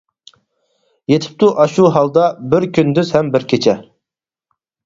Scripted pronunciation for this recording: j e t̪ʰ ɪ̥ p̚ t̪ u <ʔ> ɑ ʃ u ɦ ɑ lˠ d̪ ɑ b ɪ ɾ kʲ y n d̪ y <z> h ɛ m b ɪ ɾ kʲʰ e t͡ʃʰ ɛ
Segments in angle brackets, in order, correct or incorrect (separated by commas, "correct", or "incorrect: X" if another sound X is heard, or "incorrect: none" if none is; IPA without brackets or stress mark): correct, correct